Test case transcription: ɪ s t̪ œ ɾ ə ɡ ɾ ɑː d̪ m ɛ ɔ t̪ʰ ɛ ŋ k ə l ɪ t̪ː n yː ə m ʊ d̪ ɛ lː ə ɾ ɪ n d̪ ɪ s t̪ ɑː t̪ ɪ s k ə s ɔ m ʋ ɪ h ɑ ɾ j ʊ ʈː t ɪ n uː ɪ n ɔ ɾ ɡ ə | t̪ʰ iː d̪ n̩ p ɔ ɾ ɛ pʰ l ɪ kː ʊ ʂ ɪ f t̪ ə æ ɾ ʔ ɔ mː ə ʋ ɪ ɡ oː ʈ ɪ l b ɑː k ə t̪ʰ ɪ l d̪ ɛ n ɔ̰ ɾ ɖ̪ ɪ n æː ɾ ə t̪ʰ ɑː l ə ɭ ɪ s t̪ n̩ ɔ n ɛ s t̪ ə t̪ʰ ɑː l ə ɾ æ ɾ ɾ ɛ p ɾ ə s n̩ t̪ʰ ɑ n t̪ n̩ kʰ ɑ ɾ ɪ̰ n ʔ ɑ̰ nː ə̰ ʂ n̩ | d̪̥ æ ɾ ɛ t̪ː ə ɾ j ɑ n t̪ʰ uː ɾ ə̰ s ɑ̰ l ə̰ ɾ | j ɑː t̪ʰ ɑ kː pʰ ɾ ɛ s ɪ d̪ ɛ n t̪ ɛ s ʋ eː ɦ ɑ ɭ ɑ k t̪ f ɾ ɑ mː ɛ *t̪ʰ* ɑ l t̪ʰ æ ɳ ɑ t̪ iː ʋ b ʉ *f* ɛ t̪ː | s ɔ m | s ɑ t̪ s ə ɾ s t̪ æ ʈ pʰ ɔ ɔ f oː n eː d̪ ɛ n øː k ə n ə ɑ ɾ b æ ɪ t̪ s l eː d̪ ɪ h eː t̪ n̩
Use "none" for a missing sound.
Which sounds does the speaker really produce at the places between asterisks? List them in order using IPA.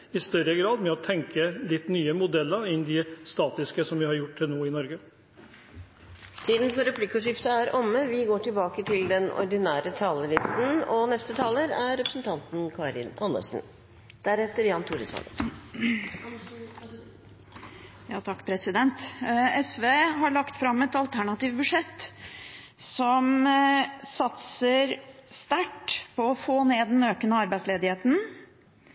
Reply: t̪, ʂ

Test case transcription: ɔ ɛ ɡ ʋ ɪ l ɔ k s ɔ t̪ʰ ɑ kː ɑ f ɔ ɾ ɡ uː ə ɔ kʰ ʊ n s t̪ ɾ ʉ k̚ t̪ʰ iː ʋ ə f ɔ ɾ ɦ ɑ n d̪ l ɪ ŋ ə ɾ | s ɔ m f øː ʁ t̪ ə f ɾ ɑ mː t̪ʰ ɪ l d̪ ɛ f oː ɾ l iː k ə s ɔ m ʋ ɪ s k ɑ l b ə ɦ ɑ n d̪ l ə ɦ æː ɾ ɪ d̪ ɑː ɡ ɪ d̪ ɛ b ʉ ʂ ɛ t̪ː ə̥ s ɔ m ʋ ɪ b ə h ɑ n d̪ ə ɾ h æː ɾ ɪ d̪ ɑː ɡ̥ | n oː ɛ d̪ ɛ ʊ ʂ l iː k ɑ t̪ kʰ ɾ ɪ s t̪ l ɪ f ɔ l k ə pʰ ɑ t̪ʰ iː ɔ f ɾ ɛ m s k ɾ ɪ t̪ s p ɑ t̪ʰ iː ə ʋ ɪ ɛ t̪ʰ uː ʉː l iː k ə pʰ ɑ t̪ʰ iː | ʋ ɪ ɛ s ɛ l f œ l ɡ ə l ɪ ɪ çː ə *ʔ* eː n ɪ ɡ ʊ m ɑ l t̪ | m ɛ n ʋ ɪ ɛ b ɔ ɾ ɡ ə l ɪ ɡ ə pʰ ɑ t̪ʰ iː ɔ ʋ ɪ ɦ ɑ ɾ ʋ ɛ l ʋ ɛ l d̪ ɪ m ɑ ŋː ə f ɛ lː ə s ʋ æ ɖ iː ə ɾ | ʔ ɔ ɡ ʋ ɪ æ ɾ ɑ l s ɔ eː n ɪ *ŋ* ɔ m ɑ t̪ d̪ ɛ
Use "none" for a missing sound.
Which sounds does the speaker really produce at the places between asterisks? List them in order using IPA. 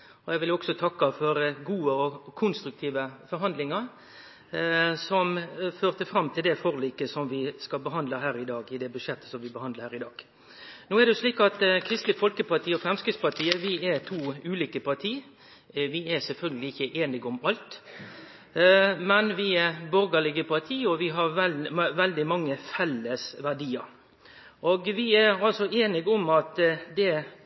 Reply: ʔ, ɡ

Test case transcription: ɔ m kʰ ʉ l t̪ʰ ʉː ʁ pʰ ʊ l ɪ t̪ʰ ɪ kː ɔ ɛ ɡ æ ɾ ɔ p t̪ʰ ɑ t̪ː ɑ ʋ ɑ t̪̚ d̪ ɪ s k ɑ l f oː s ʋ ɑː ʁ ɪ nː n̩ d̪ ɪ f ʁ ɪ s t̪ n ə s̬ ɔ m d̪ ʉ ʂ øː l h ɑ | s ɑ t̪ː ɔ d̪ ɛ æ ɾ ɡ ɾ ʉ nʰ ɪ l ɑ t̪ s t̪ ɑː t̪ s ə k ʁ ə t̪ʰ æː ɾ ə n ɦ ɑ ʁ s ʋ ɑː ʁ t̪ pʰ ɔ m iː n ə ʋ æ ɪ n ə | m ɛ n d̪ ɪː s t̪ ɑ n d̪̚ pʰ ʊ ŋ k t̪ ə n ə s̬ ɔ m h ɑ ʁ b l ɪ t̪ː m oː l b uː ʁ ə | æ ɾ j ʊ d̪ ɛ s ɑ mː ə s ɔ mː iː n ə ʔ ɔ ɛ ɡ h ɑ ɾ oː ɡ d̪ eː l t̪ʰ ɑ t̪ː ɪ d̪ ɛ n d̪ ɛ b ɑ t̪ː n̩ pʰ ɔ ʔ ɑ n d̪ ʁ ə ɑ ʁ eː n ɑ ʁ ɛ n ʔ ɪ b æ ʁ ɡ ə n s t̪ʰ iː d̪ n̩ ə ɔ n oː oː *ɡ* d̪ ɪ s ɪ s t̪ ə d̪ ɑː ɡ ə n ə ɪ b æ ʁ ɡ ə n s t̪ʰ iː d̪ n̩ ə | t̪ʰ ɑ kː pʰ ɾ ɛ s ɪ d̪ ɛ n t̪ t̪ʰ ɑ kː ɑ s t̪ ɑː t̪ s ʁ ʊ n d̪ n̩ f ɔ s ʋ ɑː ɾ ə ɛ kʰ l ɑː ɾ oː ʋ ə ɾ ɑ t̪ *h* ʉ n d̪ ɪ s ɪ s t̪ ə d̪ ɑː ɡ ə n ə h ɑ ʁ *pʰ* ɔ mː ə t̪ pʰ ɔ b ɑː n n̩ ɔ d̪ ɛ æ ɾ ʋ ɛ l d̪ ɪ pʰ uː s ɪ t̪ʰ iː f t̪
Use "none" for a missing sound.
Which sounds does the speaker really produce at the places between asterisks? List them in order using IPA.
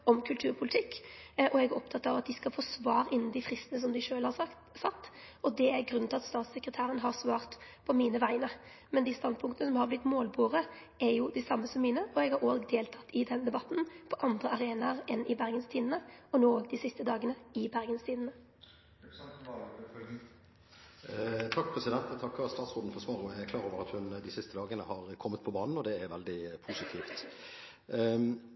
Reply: ɡ, h, kʰ

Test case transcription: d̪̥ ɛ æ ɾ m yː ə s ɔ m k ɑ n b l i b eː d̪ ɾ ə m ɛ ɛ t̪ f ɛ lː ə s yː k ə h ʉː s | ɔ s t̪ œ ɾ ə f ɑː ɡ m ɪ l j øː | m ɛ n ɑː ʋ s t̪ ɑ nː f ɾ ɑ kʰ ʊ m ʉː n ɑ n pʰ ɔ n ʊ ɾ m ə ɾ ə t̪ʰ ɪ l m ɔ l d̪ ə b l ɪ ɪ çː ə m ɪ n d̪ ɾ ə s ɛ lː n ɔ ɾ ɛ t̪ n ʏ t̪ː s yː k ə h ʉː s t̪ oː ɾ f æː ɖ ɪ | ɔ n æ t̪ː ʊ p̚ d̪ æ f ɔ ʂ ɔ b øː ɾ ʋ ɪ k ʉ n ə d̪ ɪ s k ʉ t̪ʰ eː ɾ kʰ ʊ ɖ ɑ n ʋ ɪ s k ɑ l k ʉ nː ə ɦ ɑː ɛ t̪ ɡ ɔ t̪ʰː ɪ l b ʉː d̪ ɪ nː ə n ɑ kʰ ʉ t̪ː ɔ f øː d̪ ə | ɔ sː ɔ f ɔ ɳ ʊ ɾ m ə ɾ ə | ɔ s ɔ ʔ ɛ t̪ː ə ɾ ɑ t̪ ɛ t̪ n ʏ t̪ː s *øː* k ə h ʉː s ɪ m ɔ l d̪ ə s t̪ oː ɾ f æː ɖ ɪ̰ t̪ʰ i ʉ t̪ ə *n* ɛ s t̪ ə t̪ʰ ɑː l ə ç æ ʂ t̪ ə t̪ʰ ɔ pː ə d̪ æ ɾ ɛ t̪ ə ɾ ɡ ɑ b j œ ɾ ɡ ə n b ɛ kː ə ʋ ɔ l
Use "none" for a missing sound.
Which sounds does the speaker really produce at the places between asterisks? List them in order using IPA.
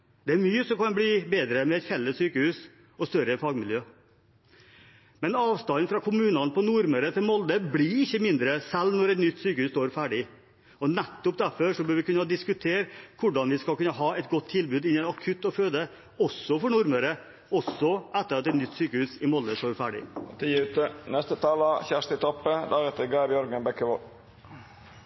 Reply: yː, n

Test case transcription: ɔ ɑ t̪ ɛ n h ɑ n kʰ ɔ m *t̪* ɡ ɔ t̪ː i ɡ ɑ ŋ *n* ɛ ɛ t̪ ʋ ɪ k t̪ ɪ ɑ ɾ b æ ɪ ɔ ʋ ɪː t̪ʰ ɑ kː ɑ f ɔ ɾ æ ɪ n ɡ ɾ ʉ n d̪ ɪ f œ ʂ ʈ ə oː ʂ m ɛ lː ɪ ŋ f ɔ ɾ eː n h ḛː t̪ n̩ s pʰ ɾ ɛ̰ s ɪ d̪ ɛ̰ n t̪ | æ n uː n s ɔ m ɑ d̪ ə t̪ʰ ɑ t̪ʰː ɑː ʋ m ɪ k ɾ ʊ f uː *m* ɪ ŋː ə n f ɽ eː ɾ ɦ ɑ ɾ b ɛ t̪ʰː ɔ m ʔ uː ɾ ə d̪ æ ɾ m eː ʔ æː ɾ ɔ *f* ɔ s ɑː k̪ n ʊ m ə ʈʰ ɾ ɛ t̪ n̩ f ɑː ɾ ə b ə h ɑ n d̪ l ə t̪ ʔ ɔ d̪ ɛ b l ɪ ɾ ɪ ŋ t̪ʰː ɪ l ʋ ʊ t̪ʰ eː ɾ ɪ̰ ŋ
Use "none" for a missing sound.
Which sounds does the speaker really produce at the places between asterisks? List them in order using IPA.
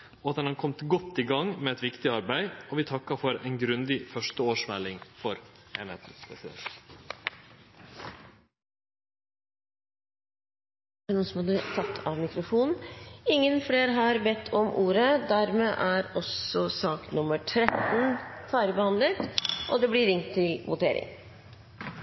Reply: t̪, m, n, s

